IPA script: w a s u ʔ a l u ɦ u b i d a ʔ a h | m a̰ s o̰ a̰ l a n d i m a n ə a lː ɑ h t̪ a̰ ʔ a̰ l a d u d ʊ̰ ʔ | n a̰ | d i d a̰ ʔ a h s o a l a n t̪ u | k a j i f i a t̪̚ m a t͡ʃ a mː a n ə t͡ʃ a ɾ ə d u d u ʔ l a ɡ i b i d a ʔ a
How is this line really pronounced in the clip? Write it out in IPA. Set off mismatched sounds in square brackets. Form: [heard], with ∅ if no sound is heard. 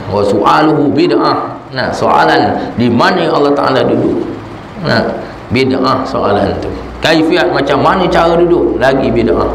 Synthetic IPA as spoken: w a s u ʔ a l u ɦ u b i d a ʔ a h | [n] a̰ s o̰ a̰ l a n d i m a n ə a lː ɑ h t̪ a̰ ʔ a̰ l a d u d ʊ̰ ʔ | n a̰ | [b] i d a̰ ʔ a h s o a l a n t̪ u | k a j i f i a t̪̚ m a t͡ʃ a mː a n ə t͡ʃ a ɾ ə d u d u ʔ l a ɡ i b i d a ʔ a